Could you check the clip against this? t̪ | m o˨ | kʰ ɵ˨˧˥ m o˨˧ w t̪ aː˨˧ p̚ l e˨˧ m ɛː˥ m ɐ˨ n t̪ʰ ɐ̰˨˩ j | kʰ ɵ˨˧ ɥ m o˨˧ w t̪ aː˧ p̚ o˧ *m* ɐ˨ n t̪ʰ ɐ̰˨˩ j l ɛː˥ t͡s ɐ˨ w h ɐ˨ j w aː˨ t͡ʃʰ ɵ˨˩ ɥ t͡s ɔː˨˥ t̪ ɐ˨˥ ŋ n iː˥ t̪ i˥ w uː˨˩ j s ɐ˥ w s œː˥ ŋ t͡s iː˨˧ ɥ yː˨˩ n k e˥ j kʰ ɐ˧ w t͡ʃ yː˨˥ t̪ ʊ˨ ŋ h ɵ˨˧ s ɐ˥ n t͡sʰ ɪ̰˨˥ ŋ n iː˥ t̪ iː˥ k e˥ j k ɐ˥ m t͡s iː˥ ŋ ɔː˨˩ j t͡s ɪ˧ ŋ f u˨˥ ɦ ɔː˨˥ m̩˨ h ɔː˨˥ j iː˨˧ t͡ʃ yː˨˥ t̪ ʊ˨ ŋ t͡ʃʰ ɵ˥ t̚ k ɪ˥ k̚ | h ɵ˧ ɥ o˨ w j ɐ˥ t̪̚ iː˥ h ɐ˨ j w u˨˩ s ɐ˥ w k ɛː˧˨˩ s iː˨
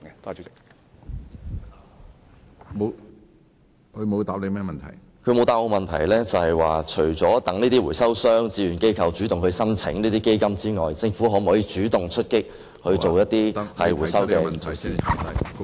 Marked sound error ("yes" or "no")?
no